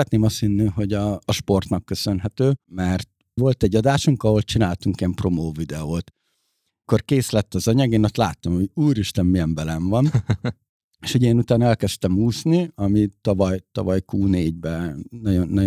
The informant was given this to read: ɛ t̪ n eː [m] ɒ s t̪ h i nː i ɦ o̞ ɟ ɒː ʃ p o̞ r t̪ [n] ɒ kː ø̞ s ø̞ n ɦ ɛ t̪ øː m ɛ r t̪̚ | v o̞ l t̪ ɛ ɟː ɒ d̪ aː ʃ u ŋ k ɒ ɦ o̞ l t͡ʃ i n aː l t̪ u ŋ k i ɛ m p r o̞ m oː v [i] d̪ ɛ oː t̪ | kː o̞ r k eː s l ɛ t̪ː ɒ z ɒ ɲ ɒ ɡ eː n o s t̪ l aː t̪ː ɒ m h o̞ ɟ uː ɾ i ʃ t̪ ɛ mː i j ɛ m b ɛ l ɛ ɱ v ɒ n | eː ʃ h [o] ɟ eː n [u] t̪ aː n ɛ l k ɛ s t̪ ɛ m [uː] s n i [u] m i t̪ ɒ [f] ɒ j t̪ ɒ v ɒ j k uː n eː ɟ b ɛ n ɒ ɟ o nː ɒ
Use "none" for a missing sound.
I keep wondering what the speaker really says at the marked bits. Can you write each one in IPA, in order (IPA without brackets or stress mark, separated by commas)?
m, n, i, o, u, uː, ɒ, v